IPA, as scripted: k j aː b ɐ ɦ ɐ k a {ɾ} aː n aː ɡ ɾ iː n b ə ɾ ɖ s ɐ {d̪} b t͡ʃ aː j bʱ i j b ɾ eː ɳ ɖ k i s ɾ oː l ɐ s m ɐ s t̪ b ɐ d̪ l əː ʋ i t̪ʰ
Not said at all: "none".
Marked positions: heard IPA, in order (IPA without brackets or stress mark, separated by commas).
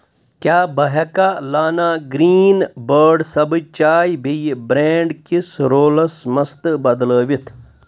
l, none